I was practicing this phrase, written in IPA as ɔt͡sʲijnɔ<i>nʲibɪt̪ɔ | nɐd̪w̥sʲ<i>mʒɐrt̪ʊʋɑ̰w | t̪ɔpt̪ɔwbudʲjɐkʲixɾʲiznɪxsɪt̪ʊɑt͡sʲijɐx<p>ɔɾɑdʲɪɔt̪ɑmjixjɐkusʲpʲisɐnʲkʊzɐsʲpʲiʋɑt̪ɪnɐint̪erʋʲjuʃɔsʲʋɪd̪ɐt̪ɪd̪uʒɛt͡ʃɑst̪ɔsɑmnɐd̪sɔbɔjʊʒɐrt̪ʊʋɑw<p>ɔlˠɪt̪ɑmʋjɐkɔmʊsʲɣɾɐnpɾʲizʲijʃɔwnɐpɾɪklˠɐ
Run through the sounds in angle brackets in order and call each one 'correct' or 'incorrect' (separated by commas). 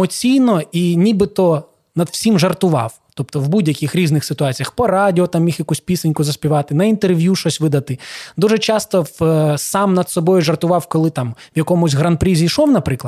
correct, correct, correct, incorrect